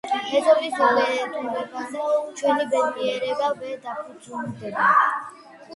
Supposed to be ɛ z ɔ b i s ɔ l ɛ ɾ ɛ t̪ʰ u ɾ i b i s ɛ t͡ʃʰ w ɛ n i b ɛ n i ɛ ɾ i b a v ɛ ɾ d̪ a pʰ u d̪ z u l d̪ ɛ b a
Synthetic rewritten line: ɛ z ɔ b i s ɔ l ɛ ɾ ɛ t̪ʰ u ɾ ɛ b a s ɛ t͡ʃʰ w ɛ n i b ɛ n i ɛ ɾ ɛ b a v ɛ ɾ d̪ a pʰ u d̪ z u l d̪ ɛ b a